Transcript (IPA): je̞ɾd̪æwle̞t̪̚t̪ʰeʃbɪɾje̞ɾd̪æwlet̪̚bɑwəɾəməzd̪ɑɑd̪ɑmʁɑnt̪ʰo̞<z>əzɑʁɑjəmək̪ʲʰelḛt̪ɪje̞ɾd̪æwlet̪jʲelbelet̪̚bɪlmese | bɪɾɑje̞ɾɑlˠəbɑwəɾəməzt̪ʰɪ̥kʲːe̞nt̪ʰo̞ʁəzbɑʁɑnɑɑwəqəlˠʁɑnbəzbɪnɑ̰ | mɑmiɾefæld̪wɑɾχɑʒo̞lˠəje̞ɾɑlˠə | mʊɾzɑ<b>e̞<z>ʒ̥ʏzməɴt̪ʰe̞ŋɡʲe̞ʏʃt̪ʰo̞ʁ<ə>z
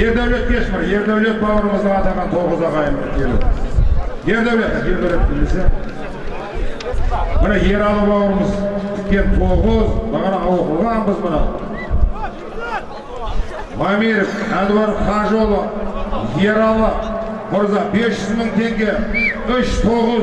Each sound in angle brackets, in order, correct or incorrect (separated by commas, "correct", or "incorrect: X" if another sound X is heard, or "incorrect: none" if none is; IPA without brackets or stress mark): incorrect: ʁ, correct, incorrect: s, correct